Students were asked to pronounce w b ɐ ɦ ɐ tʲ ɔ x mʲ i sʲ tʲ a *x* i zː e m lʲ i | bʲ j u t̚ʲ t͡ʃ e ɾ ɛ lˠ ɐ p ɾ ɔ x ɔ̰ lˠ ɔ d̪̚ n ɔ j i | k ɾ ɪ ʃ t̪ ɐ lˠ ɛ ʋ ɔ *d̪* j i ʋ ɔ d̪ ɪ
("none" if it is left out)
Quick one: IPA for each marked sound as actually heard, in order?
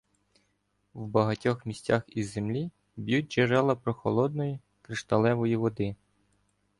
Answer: x, none

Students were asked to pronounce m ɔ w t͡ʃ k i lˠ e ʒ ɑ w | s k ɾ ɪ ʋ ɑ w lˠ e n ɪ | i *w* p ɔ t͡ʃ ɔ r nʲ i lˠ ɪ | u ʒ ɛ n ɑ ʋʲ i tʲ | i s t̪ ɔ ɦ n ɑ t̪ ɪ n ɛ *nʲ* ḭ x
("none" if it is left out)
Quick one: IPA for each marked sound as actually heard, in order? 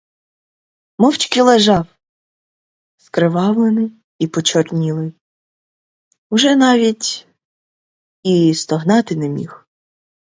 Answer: none, mʲ

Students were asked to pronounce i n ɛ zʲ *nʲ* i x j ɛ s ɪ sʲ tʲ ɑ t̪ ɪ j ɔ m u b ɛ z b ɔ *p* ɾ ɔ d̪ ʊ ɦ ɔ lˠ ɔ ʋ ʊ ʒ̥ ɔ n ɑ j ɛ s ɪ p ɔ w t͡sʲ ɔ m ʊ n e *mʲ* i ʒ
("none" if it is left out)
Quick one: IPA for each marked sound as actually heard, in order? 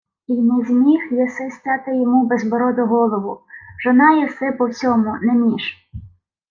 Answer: mʲ, none, mʲ

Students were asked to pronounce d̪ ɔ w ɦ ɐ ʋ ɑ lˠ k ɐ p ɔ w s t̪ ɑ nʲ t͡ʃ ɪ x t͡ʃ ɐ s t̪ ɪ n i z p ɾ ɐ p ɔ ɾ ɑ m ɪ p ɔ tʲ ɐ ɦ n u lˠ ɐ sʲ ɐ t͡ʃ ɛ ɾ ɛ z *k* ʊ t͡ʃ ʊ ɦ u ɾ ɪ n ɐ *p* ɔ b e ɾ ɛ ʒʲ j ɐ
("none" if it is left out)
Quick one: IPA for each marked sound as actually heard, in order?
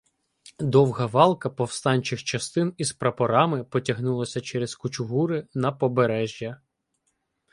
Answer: k, p

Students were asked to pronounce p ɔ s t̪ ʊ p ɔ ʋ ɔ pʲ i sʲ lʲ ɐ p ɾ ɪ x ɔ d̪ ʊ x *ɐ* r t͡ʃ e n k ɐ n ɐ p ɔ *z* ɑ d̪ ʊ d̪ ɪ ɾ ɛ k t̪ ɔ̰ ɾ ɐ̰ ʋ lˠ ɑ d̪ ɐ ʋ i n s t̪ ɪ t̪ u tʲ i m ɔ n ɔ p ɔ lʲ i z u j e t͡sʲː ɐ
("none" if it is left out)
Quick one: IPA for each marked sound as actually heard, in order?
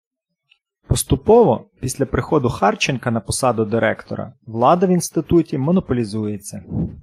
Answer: ɑ, s

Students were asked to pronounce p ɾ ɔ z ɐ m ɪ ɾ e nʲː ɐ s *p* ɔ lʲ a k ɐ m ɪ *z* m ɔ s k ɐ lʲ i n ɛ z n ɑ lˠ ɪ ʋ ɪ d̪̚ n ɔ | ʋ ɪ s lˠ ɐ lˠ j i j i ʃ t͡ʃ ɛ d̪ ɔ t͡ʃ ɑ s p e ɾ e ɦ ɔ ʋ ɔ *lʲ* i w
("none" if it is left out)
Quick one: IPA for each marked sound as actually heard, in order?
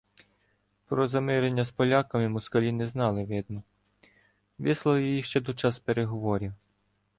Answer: p, none, ɾʲ

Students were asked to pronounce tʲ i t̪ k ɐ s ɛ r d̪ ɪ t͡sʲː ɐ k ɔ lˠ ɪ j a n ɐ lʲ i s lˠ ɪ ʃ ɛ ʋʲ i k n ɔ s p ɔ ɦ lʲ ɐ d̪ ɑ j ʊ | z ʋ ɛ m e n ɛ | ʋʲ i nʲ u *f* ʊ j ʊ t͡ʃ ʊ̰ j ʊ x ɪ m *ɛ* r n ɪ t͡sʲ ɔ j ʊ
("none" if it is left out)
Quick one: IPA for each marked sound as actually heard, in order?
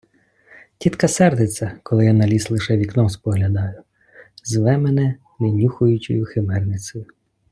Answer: x, ɛ

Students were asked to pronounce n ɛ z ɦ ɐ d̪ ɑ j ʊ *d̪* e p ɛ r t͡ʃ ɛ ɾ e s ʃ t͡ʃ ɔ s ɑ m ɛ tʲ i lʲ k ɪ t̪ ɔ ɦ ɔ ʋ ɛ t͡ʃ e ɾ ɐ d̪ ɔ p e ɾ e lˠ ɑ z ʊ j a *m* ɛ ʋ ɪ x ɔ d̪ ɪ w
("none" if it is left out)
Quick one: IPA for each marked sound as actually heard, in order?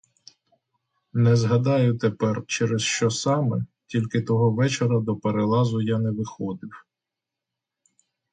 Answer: t̪, n

